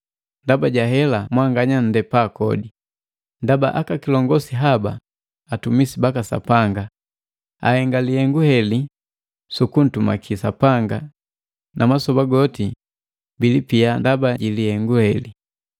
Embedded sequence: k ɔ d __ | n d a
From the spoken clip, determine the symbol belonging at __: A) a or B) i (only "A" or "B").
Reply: B